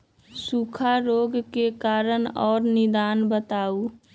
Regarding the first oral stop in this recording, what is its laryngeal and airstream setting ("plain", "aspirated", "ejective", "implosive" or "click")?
aspirated